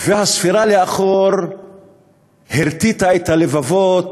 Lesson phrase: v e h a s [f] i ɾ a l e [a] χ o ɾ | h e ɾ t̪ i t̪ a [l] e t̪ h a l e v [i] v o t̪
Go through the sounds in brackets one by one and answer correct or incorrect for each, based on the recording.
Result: correct, correct, incorrect, incorrect

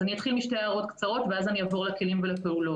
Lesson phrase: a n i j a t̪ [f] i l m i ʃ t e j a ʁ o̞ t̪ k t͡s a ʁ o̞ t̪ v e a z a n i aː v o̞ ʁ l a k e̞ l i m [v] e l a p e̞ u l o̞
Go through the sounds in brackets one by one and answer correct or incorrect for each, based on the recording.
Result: incorrect, correct

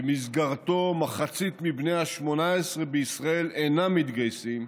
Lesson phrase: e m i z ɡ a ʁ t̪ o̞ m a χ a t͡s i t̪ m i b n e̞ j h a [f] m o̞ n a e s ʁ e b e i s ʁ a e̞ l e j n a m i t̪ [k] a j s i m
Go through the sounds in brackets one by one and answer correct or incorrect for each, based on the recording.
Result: incorrect, incorrect

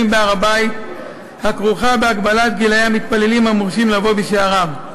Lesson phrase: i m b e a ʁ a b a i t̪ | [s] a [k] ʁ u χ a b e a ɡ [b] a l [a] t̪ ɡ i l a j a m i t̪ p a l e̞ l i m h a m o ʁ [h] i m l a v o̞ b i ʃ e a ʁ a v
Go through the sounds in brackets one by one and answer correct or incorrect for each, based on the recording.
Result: incorrect, correct, correct, correct, incorrect

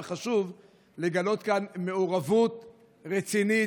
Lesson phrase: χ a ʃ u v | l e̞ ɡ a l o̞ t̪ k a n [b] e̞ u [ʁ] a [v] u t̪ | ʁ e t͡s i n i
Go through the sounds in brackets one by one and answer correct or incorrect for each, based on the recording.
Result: incorrect, correct, correct

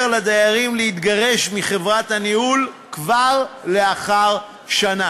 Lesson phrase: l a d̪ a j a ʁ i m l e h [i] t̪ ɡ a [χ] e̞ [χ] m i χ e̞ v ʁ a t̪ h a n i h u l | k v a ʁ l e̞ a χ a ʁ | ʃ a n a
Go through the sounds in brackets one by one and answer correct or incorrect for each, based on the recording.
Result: correct, incorrect, incorrect

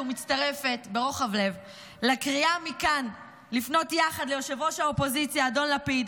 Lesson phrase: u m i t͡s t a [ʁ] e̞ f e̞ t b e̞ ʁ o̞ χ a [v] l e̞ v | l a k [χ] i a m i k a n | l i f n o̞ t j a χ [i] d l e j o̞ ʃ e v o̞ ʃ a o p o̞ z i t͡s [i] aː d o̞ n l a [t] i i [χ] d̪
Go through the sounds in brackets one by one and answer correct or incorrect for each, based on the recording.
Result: correct, correct, incorrect, incorrect, incorrect, incorrect, incorrect

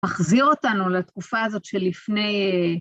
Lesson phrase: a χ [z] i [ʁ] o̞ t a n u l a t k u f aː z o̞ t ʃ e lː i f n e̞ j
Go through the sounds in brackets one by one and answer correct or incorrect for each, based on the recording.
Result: correct, correct

